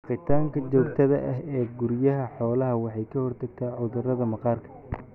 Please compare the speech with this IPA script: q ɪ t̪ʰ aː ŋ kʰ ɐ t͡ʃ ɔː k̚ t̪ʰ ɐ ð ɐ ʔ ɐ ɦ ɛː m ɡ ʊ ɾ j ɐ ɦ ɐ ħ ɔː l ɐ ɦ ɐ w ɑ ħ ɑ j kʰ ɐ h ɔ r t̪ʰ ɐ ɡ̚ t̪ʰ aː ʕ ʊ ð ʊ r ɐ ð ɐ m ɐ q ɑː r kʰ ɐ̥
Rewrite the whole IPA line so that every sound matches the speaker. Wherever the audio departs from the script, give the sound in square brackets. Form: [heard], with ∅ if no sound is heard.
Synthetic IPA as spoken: q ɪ t̪ʰ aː ŋ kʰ ɐ t͡ʃ ɔː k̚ t̪ʰ ɐ ð ɐ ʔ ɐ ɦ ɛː [∅] ɡ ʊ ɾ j ɐ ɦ ɐ ħ ɔː l ɐ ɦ ɐ w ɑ ħ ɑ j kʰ ɐ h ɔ r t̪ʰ ɐ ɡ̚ t̪ʰ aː ʕ ʊ ð ʊ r ɐ ð ɐ m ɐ q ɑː r kʰ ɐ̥

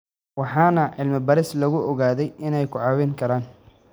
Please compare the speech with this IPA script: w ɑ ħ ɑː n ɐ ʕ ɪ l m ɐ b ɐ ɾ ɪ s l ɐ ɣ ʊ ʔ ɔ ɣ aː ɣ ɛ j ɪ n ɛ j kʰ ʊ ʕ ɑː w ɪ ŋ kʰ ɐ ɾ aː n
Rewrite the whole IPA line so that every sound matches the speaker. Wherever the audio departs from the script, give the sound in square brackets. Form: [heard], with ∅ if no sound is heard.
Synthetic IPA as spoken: w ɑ ħ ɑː n ɐ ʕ ɪ l m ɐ b ɐ ɾ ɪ s l ɐ ɣ ʊ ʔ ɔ ɣ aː [ð] ɛ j ɪ n ɛ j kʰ ʊ ʕ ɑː w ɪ ŋ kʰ ɐ ɾ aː n

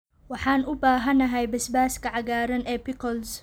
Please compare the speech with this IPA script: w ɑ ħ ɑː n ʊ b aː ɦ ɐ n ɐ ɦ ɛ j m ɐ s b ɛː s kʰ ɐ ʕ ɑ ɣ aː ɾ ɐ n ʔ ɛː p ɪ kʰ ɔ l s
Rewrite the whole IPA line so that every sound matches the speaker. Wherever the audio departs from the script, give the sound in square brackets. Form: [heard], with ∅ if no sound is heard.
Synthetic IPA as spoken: w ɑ ħ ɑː n ʊ b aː ɦ ɐ n ɐ ɦ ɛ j [b] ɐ s b [aː] s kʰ ɐ ʕ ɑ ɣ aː ɾ ɐ n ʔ ɛː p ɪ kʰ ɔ l s

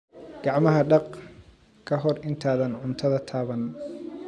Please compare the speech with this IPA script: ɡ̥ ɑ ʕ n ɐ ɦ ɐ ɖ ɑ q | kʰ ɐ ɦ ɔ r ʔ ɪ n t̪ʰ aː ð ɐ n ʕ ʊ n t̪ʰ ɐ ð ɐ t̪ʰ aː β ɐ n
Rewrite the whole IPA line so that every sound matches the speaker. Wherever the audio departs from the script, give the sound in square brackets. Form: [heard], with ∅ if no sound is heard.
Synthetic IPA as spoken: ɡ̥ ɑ ʕ [m] ɐ ɦ ɐ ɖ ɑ q | kʰ ɐ ɦ ɔ r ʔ ɪ n t̪ʰ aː ð ɐ n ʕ ʊ n t̪ʰ ɐ ð ɐ t̪ʰ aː β ɐ n

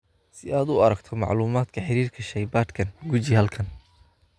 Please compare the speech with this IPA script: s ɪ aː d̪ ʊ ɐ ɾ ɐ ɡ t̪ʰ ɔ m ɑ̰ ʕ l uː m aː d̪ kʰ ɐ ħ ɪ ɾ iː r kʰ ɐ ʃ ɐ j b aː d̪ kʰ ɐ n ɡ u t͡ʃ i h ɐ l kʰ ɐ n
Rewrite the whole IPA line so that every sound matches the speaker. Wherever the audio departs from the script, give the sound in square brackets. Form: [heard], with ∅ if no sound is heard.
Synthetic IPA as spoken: s ɪ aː d̪ ʊ ɐ ɾ ɐ ɡ t̪ʰ ɔ m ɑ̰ ʕ l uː m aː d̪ kʰ ɐ ħ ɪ ɾ iː r kʰ ɐ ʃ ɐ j b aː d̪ kʰ ɐ n ɡ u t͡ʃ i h ɐ l kʰ ɐ n

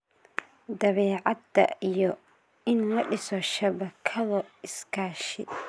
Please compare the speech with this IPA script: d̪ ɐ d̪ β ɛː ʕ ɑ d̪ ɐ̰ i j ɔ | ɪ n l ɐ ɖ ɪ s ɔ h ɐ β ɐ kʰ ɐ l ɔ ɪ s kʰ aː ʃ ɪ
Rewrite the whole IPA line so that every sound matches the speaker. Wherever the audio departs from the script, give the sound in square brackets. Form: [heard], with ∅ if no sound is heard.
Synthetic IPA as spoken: d̪ ɐ [∅] β ɛː ʕ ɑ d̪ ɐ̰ i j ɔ | ɪ n l ɐ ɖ ɪ s ɔ [ʃ] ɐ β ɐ kʰ ɐ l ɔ ɪ s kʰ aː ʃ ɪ

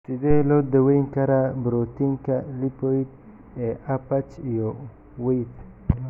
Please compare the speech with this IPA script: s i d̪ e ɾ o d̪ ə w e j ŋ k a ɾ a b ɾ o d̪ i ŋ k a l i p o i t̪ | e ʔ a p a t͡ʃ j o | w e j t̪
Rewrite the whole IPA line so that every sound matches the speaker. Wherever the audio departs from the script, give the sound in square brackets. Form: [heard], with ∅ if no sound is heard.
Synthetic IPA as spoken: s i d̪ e [l] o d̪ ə w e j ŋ k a ɾ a b ɾ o [t̪] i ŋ k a l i p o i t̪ | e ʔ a p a t͡ʃ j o | w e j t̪

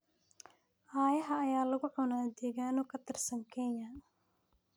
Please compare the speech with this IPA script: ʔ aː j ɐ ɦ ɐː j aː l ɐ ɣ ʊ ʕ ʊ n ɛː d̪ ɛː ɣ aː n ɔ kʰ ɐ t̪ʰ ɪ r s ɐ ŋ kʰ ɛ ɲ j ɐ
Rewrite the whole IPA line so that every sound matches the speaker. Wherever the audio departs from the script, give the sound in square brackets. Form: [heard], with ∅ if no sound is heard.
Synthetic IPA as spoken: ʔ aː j ɐ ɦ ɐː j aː l ɐ ɣ ʊ ʕ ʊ n [aː] d̪ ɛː ɣ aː n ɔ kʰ ɐ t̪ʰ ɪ r s ɐ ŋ kʰ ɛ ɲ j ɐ

